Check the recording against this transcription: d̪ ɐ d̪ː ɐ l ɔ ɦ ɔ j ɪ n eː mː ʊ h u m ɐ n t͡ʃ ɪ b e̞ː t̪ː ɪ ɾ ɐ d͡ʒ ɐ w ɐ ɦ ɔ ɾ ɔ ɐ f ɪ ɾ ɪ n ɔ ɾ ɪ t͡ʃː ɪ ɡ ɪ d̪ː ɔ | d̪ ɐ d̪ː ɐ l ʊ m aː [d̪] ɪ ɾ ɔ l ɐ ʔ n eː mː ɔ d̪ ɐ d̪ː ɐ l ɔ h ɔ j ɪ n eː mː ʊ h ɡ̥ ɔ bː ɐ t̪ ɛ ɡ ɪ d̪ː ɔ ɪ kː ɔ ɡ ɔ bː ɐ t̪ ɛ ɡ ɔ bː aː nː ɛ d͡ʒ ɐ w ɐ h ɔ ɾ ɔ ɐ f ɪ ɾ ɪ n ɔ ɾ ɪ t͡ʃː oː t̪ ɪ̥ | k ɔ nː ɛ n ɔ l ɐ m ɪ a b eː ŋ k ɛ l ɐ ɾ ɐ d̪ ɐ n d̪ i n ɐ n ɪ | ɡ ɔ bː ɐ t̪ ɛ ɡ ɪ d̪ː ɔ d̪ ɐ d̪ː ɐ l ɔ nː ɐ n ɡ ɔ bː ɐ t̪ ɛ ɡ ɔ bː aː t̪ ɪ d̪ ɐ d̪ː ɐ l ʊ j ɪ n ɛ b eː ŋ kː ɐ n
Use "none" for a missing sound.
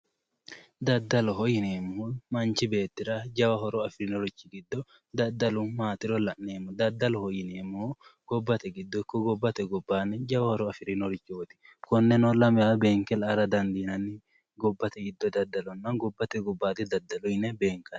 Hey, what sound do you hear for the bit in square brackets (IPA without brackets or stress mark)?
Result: t̪